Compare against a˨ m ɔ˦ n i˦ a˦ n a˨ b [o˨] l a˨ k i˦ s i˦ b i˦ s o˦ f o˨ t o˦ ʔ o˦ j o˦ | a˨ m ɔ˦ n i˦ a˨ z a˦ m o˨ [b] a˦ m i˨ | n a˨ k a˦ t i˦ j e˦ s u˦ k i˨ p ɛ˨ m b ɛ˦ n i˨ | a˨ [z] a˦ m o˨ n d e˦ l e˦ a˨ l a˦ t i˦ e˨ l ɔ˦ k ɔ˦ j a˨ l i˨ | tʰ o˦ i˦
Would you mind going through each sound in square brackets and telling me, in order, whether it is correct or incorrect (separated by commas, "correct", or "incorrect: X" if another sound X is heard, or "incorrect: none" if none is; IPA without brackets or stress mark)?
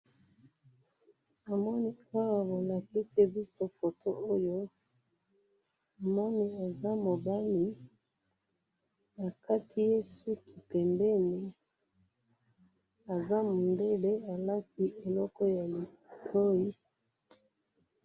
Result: correct, correct, correct